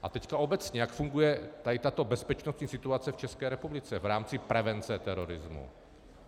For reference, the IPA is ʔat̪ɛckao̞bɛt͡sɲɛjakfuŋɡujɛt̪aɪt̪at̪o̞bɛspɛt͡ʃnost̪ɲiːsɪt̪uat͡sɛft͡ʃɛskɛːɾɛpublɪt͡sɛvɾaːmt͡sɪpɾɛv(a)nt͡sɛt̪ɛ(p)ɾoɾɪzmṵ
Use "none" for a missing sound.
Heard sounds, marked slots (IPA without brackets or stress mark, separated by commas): ɛ, none